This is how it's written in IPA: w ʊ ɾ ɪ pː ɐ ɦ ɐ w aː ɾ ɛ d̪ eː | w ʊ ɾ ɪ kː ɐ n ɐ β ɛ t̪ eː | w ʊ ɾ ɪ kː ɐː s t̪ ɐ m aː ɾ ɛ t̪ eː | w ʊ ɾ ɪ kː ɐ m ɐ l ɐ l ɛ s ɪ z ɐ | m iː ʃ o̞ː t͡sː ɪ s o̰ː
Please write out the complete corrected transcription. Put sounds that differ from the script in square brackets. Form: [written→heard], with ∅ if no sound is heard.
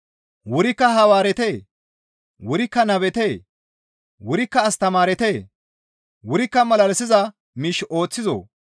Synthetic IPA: w ʊ ɾ ɪ [pː→kː] ɐ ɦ ɐ w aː ɾ ɛ [d̪→t̪] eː | w ʊ ɾ ɪ kː ɐ n ɐ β ɛ t̪ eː | w ʊ ɾ ɪ kː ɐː s t̪ ɐ m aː ɾ ɛ t̪ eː | w ʊ ɾ ɪ kː ɐ m ɐ l ɐ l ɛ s ɪ z ɐ | m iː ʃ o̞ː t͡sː ɪ [s→z] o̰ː